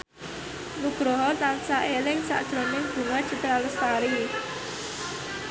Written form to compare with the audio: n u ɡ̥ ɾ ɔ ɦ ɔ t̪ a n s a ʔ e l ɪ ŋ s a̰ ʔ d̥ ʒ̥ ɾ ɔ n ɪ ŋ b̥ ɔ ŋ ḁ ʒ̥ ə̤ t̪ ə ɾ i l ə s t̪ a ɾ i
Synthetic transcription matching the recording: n u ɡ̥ ɾ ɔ ɦ ɔ t̪ a n s a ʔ e l ɪ ŋ s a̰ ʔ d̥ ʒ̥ ɾ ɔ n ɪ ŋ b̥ u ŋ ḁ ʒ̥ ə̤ t̪ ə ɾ a l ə s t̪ a ɾ i